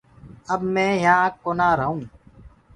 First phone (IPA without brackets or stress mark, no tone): ə